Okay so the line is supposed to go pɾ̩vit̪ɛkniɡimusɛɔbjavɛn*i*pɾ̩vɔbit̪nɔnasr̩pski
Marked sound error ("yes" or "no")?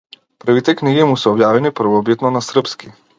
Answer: no